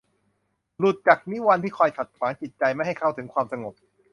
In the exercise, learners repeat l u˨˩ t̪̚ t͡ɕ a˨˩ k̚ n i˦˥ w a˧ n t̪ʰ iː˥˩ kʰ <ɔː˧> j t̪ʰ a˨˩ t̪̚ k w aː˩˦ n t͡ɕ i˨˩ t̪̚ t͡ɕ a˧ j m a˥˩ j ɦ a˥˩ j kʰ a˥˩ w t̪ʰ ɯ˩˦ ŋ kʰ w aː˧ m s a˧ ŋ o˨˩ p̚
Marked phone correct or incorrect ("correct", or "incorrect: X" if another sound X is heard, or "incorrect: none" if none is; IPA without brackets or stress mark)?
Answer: correct